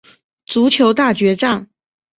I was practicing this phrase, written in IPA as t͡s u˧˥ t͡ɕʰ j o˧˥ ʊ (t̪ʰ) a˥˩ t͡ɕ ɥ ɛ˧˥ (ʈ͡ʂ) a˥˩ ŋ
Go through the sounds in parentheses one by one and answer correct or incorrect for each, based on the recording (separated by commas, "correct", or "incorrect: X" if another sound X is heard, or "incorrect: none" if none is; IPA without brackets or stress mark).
incorrect: t̪, correct